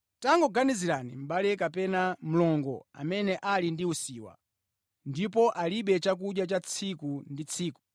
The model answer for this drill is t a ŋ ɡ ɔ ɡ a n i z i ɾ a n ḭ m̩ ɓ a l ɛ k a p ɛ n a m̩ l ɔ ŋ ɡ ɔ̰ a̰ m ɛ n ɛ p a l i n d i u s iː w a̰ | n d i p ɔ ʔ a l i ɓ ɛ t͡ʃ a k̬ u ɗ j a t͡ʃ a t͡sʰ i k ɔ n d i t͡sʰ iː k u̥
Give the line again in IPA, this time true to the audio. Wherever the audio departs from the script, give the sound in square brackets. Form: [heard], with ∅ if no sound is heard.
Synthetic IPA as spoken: t a ŋ ɡ ɔ ɡ a n i z i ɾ a n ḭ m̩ ɓ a l ɛ k a p ɛ n a m̩ l ɔ ŋ ɡ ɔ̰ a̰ m ɛ n ɛ [ʔ] a l i n d i u s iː w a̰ | n d i p ɔ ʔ a l i ɓ ɛ t͡ʃ a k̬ u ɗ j a t͡ʃ a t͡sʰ i k [u] n d i t͡sʰ iː k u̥

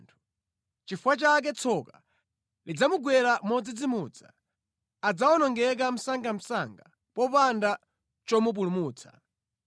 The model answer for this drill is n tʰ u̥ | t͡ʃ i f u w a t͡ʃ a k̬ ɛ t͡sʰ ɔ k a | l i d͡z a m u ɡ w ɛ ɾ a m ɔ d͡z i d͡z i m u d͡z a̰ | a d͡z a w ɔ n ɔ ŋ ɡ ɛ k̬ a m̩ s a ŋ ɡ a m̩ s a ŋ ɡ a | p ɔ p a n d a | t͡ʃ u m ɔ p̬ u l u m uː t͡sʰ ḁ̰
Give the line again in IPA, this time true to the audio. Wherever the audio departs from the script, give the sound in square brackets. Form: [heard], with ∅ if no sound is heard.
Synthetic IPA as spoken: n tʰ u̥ | t͡ʃ i f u w a t͡ʃ a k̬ ɛ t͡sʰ ɔ k a | l i d͡z a m u ɡ w ɛ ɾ a m ɔ d͡z i d͡z i m u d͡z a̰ | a d͡z a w ɔ n ɔ ŋ ɡ ɛ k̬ a m̩ s a ŋ ɡ a m̩ s a ŋ ɡ a | p ɔ p a n d a | t͡ʃ [ɔ] m [u] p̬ u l u m uː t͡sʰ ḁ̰

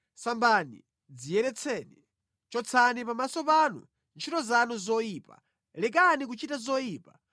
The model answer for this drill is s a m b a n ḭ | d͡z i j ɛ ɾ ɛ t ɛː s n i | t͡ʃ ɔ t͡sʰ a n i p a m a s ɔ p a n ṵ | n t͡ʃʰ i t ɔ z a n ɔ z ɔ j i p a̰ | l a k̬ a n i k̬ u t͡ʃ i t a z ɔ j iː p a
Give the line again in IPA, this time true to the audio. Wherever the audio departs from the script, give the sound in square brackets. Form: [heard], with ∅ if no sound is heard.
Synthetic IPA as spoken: s a m b a n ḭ | d͡z i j ɛ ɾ ɛ [t͡sʰ] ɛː [∅] n i | t͡ʃ ɔ t͡sʰ a n i p a m a s ɔ p a n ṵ | n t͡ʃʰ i t ɔ z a n [u] z ɔ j i p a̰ | l [ɛ] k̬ a n i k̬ u t͡ʃ i t a z ɔ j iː p a

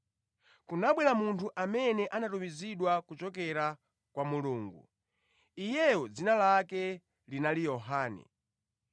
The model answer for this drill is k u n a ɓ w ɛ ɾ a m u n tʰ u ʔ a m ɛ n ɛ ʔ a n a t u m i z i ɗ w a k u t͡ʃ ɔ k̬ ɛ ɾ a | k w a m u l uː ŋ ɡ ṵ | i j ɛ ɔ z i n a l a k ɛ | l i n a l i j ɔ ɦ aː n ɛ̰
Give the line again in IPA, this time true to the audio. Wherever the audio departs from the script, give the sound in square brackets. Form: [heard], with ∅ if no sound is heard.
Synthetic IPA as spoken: k u n a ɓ w ɛ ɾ a m u n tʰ u ʔ a m ɛ n ɛ ʔ a n a t u m i z i ɗ w a k u t͡ʃ ɔ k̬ ɛ ɾ a | k w a m u l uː ŋ ɡ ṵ | i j ɛ ɔ [d͡z] i n a l a k ɛ | l i n a l i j ɔ ɦ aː n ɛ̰

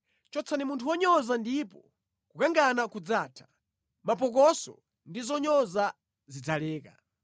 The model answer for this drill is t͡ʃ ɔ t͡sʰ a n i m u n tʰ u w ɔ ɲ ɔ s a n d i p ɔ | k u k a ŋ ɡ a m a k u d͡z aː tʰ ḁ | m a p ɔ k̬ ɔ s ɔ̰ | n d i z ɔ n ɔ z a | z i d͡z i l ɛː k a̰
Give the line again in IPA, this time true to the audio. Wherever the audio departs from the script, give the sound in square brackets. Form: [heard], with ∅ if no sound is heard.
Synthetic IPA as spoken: t͡ʃ ɔ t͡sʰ a n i m u n tʰ u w ɔ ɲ ɔ [z] a n d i p ɔ | k u k a ŋ ɡ a [n] a k u d͡z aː tʰ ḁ | m a p ɔ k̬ ɔ s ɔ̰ | n d i z ɔ [ɲ] ɔ z a | z i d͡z [a] l ɛː k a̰

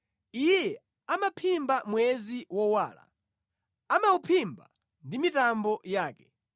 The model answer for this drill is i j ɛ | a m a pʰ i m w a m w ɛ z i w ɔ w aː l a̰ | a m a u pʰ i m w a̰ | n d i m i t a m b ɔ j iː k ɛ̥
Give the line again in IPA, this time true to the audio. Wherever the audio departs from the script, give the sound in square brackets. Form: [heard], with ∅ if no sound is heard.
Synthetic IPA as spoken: i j ɛ | a m a pʰ i m [b] a m w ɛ z i w ɔ w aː l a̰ | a m a u pʰ i m [b] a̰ | n d i m i t a m b ɔ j [aː] k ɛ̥

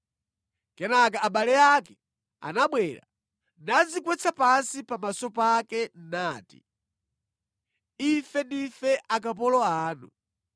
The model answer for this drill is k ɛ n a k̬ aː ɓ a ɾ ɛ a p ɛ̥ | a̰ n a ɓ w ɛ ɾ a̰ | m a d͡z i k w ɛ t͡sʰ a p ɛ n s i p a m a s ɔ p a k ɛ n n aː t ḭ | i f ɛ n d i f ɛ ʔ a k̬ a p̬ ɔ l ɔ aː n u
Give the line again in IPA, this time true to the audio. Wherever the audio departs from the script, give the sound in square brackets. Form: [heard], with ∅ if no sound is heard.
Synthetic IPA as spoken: k ɛ n a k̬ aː ɓ a [l] ɛ a [k] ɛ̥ | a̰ n a ɓ w ɛ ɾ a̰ | [n] a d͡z i k w ɛ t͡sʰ a p [a] n s i p a m a s ɔ p a k ɛ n n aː t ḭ | i f ɛ n d i f ɛ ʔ a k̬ a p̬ ɔ l ɔ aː n u

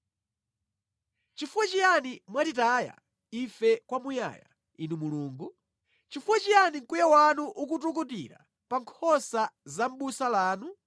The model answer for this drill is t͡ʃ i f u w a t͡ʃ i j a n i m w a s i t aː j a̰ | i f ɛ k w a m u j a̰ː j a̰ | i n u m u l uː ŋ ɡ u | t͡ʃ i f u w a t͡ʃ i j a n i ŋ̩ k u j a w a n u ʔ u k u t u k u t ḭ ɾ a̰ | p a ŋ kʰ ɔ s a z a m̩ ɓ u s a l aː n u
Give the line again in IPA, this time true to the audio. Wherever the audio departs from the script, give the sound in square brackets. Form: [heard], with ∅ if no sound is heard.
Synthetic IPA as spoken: t͡ʃ i f u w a t͡ʃ i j a n i m w a [t] i t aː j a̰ | i f ɛ k w a m u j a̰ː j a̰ | i n u m u l uː ŋ ɡ u | t͡ʃ i f u w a t͡ʃ i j a n i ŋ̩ k u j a w a n u ʔ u k u t u k u t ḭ ɾ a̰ | p a ŋ kʰ ɔ s a z a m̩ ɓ u s a l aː n u

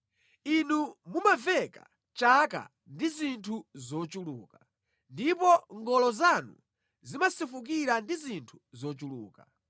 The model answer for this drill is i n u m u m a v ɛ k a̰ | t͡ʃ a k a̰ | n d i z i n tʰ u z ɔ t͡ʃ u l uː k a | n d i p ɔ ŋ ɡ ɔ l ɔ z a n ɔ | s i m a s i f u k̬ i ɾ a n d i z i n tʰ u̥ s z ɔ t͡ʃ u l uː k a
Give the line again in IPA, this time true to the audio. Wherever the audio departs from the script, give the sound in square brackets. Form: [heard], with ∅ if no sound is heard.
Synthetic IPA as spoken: i n u m u m a v ɛ k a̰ | t͡ʃ a k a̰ | n d i z i n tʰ u z ɔ t͡ʃ u l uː k a | n d i p ɔ ŋ ɡ ɔ l ɔ z a n [u] | [z] i m a s i f u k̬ i ɾ a n d i z i n tʰ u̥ [∅] z ɔ t͡ʃ u l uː k a

